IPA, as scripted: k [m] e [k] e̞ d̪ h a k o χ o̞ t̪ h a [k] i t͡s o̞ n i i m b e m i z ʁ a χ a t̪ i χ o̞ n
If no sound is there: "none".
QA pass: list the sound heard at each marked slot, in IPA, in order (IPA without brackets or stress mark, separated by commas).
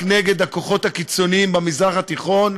n, ɡ, k